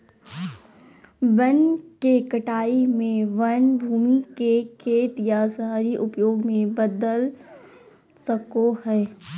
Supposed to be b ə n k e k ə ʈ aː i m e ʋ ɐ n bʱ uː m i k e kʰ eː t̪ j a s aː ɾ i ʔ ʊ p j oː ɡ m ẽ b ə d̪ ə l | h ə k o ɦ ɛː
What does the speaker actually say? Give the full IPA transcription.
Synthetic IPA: b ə n k e k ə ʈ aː i m ẽ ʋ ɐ n bʱ uː m i k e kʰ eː t̪ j a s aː ɾ i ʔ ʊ p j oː ɡ m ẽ b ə d̪ ə l | s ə k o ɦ ɛː